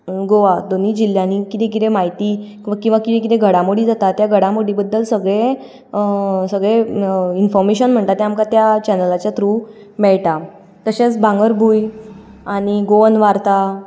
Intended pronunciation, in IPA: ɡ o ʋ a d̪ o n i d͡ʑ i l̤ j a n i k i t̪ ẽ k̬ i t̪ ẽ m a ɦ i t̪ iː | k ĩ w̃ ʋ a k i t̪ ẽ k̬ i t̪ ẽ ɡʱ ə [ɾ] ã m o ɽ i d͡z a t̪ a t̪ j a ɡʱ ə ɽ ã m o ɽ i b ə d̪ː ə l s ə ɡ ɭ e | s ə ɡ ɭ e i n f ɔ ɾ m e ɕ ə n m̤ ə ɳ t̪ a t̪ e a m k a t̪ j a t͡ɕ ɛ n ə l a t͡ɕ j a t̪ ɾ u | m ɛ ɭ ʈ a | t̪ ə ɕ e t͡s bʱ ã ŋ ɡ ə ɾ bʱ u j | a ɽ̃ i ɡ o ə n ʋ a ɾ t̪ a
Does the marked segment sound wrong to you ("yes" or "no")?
yes